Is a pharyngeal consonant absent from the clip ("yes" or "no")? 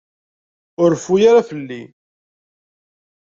yes